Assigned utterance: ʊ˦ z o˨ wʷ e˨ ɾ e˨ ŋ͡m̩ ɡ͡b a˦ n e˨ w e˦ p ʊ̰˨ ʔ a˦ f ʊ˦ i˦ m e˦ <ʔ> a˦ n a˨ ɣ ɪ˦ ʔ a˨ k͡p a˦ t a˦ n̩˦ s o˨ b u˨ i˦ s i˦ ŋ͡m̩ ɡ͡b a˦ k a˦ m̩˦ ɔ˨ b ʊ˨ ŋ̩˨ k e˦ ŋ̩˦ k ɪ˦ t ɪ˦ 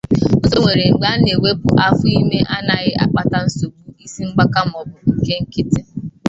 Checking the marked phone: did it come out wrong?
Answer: no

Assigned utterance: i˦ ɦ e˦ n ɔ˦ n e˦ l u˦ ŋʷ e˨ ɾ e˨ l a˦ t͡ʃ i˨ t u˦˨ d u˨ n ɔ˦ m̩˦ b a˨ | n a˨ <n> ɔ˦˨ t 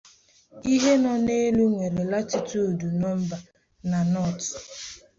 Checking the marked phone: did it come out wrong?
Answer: no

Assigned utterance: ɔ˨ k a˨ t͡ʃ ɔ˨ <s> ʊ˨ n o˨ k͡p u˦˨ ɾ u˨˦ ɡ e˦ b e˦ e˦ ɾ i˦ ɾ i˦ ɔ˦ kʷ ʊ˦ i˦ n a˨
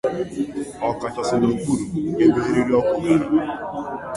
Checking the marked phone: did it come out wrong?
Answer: no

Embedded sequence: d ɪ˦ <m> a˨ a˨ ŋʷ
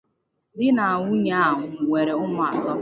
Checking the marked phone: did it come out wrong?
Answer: yes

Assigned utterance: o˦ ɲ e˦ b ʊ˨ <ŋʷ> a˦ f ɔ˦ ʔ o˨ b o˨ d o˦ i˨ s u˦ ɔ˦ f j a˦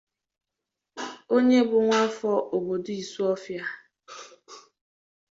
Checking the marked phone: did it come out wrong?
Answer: no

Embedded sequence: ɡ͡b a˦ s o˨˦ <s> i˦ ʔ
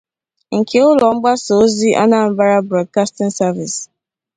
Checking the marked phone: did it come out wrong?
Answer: yes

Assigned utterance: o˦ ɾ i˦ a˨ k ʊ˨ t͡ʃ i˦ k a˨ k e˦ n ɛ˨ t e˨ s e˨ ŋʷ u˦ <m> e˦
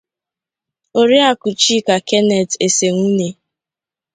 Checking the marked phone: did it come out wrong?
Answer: yes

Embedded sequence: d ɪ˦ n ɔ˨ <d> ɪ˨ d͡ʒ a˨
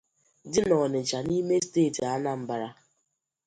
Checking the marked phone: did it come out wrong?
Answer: yes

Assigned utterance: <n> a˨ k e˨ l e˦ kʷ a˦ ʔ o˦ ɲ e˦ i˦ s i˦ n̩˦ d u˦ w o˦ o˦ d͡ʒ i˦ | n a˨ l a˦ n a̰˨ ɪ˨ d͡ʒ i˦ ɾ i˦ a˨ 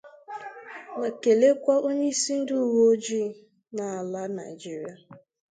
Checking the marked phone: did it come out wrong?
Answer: no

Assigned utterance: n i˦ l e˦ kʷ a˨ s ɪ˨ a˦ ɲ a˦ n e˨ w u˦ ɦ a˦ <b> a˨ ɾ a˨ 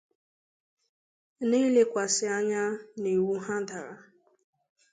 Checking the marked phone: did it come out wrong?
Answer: yes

